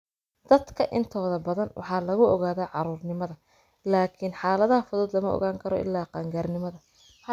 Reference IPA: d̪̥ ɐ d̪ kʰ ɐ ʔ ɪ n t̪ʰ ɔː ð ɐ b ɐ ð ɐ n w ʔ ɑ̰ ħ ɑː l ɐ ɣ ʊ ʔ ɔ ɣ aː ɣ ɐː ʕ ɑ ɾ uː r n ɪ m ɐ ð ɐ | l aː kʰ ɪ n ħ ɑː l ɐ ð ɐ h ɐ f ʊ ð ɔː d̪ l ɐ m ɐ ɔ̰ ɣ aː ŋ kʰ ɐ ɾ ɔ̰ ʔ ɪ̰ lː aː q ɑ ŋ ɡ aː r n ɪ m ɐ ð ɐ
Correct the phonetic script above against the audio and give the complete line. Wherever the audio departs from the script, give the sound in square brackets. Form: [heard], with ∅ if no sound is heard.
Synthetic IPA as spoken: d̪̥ ɐ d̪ kʰ ɐ ʔ ɪ n t̪ʰ ɔː ð ɐ b ɐ ð ɐ n w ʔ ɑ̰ ħ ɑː l ɐ ɣ ʊ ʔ ɔ ɣ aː [ð] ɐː ʕ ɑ ɾ uː r n ɪ m ɐ ð ɐ | l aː kʰ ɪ n ħ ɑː l ɐ ð ɐ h ɐ f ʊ ð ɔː d̪ l ɐ m ɐ ɔ̰ ɣ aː ŋ kʰ ɐ ɾ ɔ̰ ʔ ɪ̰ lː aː q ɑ ŋ ɡ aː r n ɪ m ɐ ð ɐ